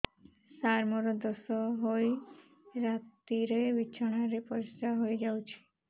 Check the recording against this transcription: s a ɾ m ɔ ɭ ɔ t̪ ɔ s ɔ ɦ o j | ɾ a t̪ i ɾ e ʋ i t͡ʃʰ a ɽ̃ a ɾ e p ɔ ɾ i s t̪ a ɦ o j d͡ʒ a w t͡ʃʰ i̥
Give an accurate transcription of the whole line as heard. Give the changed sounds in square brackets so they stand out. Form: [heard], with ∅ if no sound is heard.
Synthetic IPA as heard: s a ɾ m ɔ [ɾ] ɔ [d̪] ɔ s ɔ ɦ o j | ɾ a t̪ i ɾ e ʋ i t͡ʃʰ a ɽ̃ a ɾ e p ɔ ɾ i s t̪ a ɦ o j d͡ʒ a w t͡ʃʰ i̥